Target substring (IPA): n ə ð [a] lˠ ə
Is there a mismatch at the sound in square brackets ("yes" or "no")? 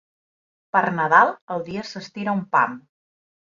no